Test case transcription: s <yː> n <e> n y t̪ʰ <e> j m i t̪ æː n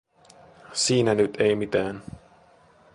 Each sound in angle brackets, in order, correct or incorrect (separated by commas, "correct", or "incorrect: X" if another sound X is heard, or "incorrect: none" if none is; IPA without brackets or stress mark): incorrect: iː, incorrect: æ, correct